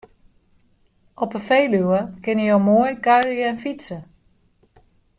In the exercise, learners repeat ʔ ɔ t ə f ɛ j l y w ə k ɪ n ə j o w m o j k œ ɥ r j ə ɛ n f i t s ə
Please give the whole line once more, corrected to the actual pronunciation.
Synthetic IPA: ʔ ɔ p ə f e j l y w ə k ɪ n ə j o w m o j k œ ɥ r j ə ɛ n f i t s ə